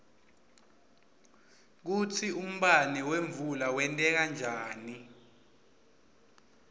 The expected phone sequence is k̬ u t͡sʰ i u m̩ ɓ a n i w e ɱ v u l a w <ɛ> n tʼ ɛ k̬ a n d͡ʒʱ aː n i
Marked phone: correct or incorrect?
correct